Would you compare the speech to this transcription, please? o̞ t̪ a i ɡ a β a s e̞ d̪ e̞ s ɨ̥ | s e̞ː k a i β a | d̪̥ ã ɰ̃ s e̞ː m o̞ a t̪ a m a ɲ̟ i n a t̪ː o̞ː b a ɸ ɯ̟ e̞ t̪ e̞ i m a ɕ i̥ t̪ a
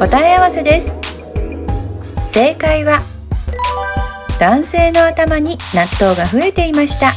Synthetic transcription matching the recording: o̞ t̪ a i a β a s e̞ d̪ e̞ s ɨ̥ | s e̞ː k a i β a | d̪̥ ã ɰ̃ s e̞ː n o̞ a t̪ a m a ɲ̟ i n a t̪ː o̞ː ɡ a ɸ ɯ̟ e̞ t̪ e̞ i m a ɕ i̥ t̪ a